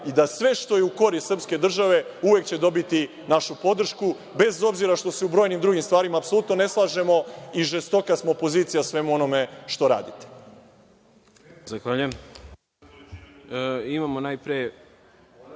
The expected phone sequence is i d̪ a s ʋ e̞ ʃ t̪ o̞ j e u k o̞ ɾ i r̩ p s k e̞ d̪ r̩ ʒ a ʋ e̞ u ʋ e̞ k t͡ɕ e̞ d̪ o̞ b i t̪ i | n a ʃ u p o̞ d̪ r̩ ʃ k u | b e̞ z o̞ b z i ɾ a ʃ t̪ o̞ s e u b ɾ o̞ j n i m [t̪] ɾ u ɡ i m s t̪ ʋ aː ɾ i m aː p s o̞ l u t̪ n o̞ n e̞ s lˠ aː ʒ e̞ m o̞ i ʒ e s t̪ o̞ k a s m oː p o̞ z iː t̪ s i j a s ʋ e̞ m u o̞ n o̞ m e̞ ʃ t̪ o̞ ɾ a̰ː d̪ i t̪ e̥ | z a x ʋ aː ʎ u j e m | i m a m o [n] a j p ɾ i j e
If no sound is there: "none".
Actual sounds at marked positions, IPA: d̪, n

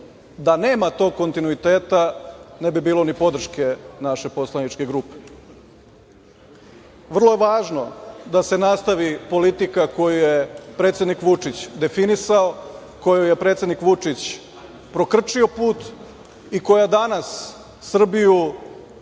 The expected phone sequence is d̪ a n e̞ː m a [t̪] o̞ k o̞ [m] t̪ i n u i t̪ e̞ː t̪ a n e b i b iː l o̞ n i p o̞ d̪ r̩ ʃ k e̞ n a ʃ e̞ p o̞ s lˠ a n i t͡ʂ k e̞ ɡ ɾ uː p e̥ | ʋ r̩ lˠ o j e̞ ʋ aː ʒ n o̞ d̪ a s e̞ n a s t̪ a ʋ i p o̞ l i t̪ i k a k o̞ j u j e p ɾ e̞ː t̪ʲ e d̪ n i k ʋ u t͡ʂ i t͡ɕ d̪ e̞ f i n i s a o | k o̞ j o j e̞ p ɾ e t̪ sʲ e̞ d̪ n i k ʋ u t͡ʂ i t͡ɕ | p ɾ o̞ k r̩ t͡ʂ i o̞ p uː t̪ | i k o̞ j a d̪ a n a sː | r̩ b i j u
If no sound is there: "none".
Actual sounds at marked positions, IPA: t̪, n

